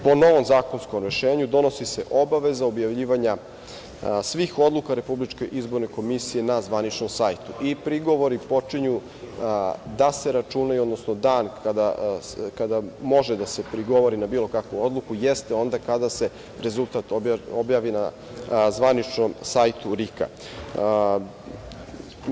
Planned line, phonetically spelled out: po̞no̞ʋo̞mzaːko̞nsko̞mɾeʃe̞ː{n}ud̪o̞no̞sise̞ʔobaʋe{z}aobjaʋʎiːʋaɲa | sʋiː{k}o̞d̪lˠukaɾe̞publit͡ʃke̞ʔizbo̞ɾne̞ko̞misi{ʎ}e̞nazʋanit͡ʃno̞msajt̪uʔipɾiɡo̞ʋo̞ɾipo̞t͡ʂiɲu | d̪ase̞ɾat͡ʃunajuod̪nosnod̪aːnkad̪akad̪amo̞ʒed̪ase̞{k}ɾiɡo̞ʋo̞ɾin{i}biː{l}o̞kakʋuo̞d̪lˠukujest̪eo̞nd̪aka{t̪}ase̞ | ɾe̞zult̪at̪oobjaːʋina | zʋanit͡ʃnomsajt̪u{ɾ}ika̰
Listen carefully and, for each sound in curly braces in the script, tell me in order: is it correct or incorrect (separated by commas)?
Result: incorrect, correct, incorrect, incorrect, incorrect, incorrect, correct, incorrect, correct